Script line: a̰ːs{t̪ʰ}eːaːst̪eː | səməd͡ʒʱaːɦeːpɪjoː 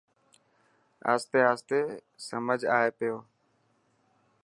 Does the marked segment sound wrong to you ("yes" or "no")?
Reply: yes